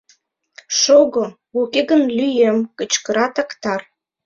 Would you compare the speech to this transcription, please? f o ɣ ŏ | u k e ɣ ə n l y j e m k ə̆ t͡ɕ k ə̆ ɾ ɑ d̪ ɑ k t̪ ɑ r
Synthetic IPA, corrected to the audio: ʃ o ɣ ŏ | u k e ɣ ə n l y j e m k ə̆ t͡ɕ k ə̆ ɾ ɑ t̪ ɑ k t̪ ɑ r

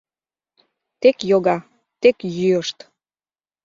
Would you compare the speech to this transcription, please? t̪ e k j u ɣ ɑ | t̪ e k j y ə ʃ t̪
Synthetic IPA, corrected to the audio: t̪ e k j o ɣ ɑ | t̪ e k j y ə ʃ t̪

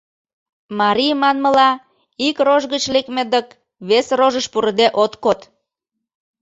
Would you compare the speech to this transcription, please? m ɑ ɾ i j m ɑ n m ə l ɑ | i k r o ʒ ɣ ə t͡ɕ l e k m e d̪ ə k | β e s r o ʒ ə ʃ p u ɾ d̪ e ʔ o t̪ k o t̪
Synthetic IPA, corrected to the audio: m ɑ ɾ i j m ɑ n m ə l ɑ | i k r o ʒ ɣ ə t͡ɕ l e k m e d̪ ə k | β e s r o ʒ ə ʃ p u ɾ d̪ e ʔ o t̪ k o t̪

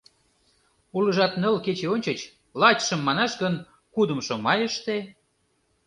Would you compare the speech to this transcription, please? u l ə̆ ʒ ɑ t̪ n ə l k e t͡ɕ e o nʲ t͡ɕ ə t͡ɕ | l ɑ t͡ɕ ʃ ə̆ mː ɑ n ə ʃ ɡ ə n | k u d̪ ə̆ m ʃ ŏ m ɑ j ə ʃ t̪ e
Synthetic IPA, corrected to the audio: u l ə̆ ʒ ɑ t̪ n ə l k e t͡ɕ e o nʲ t͡ɕ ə t͡ɕ | l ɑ t͡ɕ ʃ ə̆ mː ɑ n ɑ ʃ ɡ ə n | k u d̪ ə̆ m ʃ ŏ m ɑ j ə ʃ t̪ e

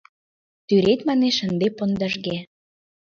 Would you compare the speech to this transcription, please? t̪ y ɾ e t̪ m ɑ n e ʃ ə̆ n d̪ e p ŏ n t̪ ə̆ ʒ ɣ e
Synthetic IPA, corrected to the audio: t̪ y ɾ e t̪ m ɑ n e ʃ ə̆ n d̪ e p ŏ n d̪ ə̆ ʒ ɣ e

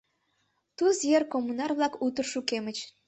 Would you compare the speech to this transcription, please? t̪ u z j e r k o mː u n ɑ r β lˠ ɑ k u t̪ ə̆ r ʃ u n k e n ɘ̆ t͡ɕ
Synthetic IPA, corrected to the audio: t̪ u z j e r k o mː u n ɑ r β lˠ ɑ k u t̪ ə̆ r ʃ u k e m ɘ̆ t͡ɕ

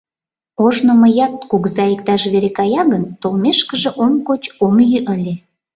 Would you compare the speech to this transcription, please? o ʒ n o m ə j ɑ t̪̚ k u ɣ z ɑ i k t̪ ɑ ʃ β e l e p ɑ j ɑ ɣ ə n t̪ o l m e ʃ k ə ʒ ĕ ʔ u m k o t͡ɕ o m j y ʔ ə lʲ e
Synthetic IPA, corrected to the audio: o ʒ n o m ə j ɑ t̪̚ k u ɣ z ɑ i k t̪ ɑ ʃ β e ɾ e k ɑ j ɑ ɣ ə n t̪ o l m e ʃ k ə ʒ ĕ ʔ o m k o t͡ɕ o m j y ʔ ə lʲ e

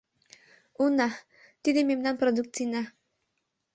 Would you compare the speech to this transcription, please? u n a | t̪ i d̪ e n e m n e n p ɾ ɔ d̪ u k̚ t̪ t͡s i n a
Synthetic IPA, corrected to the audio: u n a | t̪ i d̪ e m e m n a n p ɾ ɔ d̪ u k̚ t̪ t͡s i n a

